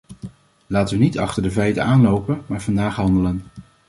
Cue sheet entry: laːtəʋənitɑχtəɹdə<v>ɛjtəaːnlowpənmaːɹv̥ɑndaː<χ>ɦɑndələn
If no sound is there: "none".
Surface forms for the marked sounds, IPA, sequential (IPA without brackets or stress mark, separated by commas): v, χ